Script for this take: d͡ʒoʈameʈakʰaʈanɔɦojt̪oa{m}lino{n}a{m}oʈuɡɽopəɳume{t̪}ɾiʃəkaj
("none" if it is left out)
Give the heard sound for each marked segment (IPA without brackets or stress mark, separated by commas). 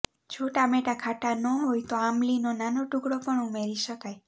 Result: m, n, n, none